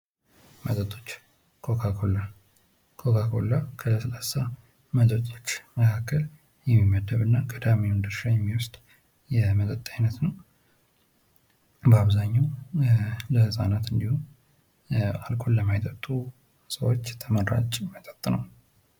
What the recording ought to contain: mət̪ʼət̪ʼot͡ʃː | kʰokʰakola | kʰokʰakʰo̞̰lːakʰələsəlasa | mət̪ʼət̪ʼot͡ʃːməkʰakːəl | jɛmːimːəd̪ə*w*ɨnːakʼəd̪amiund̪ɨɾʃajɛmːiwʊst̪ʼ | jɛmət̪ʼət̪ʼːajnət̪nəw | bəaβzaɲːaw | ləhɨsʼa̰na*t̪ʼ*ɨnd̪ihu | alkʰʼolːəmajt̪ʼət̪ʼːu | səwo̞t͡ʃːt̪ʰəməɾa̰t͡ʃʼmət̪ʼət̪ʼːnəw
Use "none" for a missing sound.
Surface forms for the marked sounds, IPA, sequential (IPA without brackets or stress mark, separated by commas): β, t̪